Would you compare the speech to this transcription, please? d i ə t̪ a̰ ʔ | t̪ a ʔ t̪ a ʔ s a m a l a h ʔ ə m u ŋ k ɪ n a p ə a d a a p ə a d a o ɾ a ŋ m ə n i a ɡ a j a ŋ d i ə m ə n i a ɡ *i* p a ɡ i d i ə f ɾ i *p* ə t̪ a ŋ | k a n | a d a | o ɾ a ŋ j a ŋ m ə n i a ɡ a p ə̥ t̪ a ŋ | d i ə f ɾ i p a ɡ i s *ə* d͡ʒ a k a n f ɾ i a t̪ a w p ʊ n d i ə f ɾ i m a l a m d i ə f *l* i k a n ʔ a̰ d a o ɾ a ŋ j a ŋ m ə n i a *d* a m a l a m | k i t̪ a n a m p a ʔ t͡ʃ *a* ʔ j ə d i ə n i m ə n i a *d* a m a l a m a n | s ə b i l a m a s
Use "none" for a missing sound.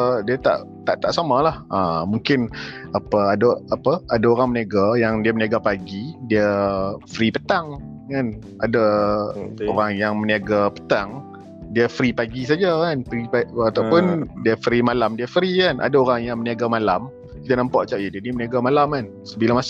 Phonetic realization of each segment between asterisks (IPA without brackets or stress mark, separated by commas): a, p, a, ɾ, ɡ, a, ɡ